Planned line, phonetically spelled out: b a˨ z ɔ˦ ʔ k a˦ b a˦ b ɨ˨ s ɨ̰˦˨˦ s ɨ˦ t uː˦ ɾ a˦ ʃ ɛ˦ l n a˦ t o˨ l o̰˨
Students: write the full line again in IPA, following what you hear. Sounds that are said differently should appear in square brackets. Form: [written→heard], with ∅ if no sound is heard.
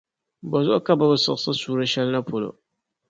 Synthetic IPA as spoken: b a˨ z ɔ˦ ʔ k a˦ b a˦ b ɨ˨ s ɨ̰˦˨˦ s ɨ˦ [t→s] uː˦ ɾ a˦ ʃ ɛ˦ l n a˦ [t→p] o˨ l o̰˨